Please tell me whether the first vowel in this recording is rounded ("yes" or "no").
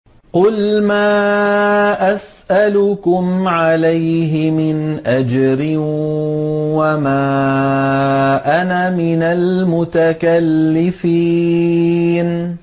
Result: yes